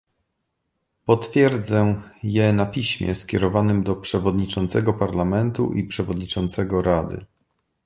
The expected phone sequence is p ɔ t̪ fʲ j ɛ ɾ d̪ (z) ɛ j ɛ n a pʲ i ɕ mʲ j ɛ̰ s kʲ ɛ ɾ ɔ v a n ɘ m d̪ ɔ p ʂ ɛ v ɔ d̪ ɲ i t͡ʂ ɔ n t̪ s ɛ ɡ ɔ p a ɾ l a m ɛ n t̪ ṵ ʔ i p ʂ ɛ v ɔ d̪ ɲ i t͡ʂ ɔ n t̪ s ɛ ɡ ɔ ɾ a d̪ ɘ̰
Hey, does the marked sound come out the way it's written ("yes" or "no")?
yes